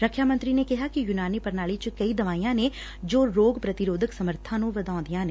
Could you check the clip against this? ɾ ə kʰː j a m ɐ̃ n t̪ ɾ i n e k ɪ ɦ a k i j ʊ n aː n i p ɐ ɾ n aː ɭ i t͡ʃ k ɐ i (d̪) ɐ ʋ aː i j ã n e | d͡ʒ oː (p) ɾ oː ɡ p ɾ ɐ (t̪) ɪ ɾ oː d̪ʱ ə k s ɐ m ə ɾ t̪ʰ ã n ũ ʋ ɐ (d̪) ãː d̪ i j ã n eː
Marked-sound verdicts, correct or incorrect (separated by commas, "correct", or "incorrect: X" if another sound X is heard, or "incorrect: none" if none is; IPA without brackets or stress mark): correct, incorrect: none, correct, correct